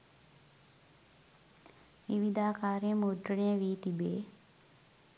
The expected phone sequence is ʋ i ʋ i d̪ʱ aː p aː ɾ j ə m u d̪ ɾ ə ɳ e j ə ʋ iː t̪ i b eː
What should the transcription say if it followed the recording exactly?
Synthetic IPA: ʋ i ʋ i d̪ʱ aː k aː ɾ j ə m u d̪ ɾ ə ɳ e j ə ʋ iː t̪ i b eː